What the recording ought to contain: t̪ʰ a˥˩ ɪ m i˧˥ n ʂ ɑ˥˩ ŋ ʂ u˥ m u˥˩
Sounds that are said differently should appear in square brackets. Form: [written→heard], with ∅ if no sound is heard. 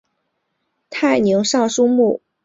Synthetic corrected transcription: t̪ʰ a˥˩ ɪ [m→n] i˧˥ [n→ŋ] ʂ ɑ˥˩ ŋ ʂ u˥ m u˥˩